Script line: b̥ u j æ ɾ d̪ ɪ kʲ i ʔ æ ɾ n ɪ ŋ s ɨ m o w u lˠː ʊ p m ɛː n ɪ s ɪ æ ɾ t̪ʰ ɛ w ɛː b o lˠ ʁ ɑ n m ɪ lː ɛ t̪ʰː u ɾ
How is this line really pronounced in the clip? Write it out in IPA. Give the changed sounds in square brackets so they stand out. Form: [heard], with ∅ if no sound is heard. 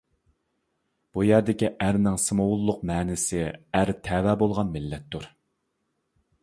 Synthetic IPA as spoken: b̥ u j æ ɾ d̪ ɪ kʲ i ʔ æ ɾ n ɪ ŋ s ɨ m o w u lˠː ʊ [q] m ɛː n ɪ s ɪ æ ɾ t̪ʰ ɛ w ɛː b o lˠ ʁ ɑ n m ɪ lː ɛ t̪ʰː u ɾ